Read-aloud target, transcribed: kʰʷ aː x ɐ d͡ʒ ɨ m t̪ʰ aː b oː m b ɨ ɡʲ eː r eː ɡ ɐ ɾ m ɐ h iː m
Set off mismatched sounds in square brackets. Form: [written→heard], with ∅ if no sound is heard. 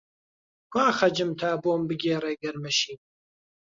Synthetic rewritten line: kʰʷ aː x ɐ d͡ʒ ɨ m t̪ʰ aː b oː m b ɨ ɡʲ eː r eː ɡ ɐ ɾ m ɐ [h→ʃ] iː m